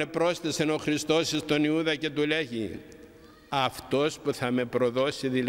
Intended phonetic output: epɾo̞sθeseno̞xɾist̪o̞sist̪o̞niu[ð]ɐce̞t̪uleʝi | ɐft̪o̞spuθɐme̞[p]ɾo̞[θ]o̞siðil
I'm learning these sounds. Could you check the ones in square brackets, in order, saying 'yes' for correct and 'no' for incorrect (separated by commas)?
yes, yes, no